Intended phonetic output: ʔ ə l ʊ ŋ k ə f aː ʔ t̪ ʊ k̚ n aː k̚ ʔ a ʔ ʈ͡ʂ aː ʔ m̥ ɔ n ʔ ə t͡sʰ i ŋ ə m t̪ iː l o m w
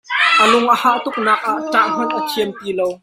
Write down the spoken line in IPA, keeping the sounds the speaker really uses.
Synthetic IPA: ʔ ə l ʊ ŋ ʔ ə h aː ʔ t̪ ʊ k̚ n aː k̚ ʔ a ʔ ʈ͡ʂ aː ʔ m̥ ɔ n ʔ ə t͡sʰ i ə m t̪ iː l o w